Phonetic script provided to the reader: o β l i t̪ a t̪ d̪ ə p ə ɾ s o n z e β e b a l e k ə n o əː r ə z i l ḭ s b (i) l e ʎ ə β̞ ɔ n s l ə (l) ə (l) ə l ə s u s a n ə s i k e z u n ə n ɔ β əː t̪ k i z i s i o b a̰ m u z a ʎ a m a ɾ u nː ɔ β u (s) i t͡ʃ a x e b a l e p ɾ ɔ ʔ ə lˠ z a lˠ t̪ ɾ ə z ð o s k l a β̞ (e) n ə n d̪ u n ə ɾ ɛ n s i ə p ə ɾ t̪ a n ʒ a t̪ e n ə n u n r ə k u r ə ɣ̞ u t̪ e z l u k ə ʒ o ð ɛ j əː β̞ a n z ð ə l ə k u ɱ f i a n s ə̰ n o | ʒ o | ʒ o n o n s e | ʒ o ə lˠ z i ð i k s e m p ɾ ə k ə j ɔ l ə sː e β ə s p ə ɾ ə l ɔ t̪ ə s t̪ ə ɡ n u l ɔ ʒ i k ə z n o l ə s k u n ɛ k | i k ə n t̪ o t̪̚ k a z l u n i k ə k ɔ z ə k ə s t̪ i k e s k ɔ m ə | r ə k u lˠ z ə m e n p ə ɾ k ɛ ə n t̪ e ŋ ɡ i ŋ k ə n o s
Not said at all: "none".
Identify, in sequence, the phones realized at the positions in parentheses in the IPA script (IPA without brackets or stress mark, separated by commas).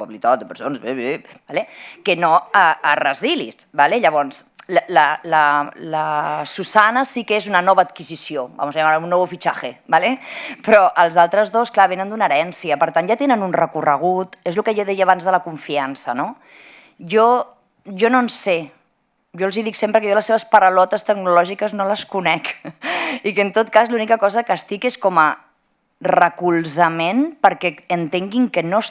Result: a, l, l, f, e